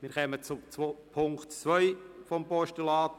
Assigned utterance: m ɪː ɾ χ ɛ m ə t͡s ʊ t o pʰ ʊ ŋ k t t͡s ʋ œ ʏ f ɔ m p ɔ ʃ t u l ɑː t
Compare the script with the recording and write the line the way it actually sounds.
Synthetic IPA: m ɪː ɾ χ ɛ m ə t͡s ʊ t͡s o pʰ ʊ ŋ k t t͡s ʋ œ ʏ f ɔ m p ɔ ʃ t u l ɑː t

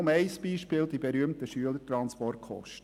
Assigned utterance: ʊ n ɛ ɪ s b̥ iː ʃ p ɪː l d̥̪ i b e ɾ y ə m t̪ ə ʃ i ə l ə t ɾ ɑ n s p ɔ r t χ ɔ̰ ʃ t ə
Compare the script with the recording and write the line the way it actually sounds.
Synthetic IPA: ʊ m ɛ ɪ s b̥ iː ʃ p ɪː l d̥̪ i b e ɾ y ə m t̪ ə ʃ y ə l ə t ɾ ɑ n s p ɔ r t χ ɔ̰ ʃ t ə

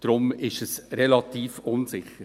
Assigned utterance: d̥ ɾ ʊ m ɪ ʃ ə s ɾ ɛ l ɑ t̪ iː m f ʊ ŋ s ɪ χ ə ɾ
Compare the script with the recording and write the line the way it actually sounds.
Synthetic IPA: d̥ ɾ ʊ m ɪ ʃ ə s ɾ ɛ l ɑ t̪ iː f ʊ n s ɪ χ ə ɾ

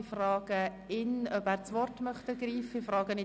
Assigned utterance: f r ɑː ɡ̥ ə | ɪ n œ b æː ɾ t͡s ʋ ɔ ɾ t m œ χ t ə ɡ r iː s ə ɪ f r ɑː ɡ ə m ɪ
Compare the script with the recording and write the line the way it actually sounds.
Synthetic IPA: f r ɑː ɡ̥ ə | ɪ n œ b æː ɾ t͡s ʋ ɔ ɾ t m œ χ t ə ɡ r iː f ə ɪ f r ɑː ɡ ə n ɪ

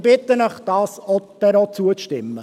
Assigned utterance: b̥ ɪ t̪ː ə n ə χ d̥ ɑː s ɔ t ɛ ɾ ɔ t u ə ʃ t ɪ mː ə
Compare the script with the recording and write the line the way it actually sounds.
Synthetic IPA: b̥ ɪ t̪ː ə n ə χ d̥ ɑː s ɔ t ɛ ɾ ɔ t͡s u ə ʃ t ɪ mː ə

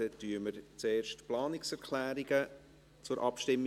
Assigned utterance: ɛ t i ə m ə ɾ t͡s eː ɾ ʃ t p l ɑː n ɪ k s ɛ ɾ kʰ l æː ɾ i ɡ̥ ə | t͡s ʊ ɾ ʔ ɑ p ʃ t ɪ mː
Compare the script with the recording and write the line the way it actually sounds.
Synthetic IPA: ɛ t y ə m ə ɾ t͡s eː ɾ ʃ t p l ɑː n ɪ k s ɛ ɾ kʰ l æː ɾ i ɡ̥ ə | t͡s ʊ ɾ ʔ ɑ p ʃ t ɪ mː

